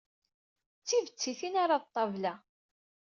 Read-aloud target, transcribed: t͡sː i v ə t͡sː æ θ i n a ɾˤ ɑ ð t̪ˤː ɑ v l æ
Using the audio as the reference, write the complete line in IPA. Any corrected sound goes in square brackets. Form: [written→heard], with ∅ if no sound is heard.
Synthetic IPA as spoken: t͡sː i v ə t͡sː [æ→i] θ i n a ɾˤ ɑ ð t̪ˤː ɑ v l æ